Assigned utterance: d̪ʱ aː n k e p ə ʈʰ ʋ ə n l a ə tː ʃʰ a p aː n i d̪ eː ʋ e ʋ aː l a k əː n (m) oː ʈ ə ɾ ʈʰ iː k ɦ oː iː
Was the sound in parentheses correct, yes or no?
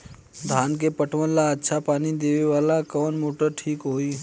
yes